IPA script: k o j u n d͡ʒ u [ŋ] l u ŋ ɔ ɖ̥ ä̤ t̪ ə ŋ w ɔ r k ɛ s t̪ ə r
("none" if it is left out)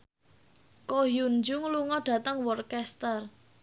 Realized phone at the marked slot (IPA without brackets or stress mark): ŋ